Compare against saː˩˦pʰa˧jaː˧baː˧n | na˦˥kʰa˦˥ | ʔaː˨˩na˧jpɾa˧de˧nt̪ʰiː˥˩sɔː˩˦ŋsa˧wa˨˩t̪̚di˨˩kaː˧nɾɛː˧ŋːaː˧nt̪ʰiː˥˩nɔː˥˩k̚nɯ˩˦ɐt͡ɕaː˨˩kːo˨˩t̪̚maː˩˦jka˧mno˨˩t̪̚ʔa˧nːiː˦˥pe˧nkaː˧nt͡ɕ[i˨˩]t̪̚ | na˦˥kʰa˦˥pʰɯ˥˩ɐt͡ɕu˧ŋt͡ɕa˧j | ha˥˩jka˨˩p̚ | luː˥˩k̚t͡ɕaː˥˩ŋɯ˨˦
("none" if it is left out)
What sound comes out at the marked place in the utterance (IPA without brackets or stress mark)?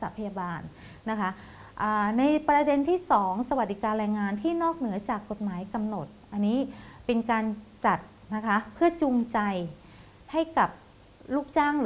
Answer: a˨˩